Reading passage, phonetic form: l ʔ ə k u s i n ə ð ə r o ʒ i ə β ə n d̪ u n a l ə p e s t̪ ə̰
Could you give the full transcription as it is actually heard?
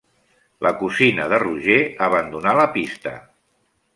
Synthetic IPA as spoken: l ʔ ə k u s i n ə ð ə r u ʒ e ə β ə n d̪ u n a l ə p i s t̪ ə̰